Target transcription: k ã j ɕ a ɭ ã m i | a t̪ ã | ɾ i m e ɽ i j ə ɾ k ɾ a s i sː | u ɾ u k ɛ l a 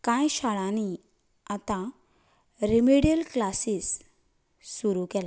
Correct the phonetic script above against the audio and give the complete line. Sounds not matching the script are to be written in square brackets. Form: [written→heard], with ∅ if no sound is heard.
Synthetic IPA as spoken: k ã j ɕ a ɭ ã [m→n] i | a t̪ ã | ɾ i m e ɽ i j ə [ɾ→l] k [ɾ→l] a s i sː | u ɾ u k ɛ l a